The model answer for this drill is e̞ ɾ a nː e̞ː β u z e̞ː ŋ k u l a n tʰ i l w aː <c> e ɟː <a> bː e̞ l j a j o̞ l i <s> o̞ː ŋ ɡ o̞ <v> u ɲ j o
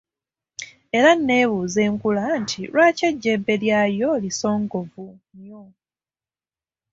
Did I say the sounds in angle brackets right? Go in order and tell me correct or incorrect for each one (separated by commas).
correct, incorrect, correct, correct